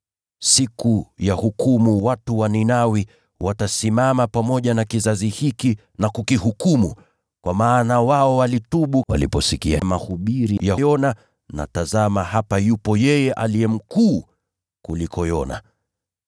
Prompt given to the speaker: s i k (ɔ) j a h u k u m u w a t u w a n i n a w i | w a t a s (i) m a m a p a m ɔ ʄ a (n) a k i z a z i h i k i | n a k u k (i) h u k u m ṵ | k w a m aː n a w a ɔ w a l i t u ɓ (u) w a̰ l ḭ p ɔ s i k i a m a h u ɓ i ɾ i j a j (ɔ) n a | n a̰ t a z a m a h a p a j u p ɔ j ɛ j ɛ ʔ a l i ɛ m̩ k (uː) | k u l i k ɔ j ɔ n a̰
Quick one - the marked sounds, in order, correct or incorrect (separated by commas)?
incorrect, correct, correct, correct, correct, correct, correct